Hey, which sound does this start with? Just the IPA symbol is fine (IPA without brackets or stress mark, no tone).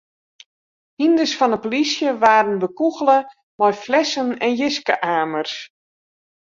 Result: h